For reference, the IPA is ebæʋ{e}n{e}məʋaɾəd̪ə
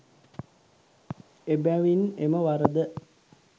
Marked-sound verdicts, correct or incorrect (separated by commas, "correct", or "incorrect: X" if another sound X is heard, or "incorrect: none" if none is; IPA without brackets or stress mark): incorrect: i, correct